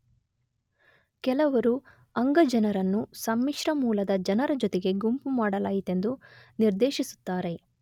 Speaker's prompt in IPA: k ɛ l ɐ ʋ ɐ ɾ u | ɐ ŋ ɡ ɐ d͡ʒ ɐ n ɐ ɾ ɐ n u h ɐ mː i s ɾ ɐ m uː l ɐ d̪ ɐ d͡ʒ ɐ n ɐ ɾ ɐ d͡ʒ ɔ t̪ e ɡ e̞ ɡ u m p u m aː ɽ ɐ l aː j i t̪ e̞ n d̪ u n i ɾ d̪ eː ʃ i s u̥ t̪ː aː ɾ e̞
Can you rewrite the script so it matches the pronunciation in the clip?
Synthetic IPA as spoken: k ɛ l ɐ ʋ ɐ ɾ u | ɐ ŋ ɡ ɐ d͡ʒ ɐ n ɐ ɾ ɐ nː u s ɐ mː i ʂ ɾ ɐ m uː l ɐ d̪ ɐ d͡ʒ ɐ n ɐ ɾ ɐ d͡ʒ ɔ t̪ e ɡ e̞ ɡ u m p u m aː ɽ ɐ l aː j i t̪ e̞ n d̪ u n i ɾ d̪ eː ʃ i s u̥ t̪ː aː ɾ e̞